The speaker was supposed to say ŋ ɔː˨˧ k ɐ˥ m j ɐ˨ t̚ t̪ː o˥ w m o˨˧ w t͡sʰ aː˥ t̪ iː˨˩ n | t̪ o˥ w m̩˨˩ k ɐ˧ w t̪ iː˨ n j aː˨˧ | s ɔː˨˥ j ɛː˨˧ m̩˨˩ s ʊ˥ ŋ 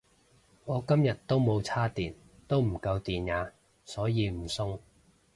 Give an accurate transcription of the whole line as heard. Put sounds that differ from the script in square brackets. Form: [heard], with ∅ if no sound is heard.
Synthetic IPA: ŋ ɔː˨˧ k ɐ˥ m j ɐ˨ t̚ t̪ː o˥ w m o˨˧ w t͡sʰ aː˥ t̪ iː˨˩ n | t̪ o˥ w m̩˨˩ k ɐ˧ w t̪ iː˨ n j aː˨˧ | s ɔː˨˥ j [iː˨˧] m̩˨˩ s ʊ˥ ŋ